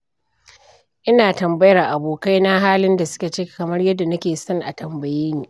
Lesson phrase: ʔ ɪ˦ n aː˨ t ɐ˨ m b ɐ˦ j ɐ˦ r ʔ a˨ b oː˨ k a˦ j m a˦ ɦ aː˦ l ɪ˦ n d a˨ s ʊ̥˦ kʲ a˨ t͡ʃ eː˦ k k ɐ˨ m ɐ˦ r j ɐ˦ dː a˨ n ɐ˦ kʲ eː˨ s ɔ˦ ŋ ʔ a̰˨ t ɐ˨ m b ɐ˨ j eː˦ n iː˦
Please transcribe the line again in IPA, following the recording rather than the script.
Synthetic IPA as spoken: ʔ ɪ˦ n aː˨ t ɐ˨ m b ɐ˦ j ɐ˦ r ʔ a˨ b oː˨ k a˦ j n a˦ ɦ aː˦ l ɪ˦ n d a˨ s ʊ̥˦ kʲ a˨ t͡ʃ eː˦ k k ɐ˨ m ɐ˦ r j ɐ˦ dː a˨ n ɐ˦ kʲ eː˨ s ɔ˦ ŋ ʔ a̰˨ t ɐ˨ m b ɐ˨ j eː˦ n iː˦

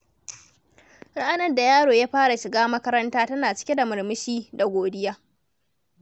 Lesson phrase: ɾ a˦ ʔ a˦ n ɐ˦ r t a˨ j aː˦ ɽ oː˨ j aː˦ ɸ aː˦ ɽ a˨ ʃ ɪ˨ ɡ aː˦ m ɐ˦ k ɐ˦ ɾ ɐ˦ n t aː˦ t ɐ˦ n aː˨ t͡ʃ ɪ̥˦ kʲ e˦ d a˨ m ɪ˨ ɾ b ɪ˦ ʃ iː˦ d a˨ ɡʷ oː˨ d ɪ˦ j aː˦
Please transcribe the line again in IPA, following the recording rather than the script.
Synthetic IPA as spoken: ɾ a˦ ʔ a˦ n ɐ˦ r d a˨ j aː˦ ɽ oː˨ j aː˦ ɸ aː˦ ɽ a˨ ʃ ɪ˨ ɡ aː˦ m ɐ˦ k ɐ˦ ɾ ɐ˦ n t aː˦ t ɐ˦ n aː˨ t͡ʃ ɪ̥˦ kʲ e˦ d a˨ m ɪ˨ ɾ m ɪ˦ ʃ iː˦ d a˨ ɡʷ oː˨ d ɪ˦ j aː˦

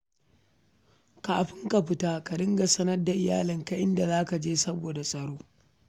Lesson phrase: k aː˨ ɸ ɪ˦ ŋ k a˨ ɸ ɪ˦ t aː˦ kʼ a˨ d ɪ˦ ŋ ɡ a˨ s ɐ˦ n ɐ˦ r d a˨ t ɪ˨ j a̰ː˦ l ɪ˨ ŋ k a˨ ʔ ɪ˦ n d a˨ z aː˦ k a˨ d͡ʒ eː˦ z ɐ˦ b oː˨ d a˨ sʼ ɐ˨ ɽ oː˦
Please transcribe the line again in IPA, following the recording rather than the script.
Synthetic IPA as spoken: k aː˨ ɸ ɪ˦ ŋ k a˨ ɸ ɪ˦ t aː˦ k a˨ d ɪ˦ ŋ ɡ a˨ s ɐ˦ n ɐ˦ r d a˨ ʔ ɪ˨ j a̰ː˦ l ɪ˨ ŋ k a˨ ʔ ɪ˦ n d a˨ z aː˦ k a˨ d͡ʒ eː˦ s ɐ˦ b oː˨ d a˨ sʼ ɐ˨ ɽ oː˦

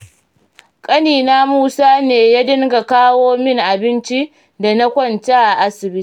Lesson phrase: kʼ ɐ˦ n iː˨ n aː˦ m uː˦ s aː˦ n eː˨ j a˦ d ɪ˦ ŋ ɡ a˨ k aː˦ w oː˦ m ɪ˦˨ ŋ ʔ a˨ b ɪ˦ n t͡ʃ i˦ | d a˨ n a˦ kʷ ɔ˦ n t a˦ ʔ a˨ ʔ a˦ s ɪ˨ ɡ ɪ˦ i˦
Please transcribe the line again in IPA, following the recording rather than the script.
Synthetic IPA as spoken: kʼ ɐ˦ n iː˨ n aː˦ m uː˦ s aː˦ n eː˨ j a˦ d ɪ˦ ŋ ɡ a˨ k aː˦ w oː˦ m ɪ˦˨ ŋ ʔ a˨ b ɪ˦ n t͡ʃ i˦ | d a˨ n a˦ kʷ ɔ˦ n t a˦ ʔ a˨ ʔ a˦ s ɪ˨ b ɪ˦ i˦

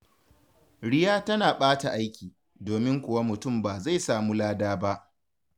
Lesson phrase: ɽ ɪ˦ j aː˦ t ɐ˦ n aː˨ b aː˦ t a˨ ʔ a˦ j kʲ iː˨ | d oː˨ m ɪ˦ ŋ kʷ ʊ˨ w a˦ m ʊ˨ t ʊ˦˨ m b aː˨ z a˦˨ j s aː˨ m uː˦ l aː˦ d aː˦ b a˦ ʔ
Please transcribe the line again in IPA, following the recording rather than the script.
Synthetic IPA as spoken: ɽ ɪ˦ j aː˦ t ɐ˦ n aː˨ ɓ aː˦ t a˨ ʔ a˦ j kʲ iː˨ | d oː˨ m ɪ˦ ŋ kʷ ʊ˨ w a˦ m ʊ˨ t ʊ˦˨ m b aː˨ z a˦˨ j s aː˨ m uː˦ l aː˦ d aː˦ b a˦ ʔ

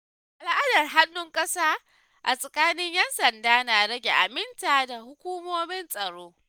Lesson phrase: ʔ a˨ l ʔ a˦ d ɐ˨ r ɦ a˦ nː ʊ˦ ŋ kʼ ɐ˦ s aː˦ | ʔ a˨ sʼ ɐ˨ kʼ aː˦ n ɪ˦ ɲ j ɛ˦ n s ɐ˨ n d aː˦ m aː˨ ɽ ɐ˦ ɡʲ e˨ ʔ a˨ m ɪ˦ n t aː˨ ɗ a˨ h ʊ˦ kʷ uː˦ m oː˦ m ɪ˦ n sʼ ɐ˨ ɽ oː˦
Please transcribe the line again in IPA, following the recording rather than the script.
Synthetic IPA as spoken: ʔ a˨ l ʔ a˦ d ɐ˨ r ɦ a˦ nː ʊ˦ ŋ kʼ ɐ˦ s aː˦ | ʔ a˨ sʼ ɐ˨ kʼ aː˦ n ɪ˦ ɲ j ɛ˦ n s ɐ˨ n d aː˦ n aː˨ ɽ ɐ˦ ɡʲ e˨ ʔ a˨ m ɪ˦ n t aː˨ d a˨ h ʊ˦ kʷ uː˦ m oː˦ m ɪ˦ n sʼ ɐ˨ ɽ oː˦

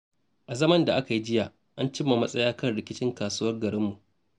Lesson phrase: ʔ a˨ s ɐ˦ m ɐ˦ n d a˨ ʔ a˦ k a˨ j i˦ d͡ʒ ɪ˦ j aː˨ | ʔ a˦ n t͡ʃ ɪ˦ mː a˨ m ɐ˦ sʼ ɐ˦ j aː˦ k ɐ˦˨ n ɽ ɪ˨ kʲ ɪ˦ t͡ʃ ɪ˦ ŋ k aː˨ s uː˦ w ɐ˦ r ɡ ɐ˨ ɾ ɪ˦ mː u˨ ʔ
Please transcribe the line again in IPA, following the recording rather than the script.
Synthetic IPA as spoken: ʔ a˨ z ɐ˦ m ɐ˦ n d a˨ ʔ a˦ k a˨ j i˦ d͡ʒ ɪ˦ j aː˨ | ʔ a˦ n t͡ʃ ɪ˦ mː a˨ m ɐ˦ sʼ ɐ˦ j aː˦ k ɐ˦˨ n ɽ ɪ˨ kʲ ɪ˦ t͡ʃ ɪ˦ ŋ k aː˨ s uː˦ w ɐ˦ r ɡ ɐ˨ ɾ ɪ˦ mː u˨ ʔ

